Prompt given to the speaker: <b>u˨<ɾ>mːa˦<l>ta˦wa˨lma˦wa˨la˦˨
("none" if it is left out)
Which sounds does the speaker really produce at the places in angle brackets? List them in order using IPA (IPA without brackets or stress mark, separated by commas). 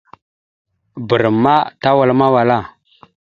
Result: b, ɾ, none